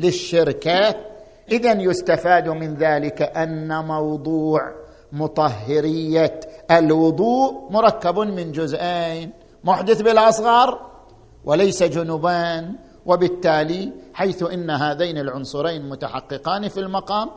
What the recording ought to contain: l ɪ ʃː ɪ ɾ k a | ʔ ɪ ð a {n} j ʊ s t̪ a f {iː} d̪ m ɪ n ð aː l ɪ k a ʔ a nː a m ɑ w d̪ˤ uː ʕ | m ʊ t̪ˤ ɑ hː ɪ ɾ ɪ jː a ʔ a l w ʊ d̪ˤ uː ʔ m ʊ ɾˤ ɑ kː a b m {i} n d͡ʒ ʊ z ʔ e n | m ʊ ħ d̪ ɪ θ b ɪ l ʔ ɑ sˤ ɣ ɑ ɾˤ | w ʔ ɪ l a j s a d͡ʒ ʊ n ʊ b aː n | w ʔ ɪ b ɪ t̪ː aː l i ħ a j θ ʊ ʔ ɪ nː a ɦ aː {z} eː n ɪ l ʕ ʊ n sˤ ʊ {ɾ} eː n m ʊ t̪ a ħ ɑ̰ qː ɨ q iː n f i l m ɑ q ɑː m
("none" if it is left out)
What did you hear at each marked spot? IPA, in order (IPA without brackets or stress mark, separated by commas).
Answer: n, aː, ɪ, ð, ɾ